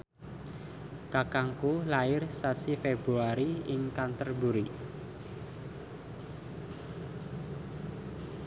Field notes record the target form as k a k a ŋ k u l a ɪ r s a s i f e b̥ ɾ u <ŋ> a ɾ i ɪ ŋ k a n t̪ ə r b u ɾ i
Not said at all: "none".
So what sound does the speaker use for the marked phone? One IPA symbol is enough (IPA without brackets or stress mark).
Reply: none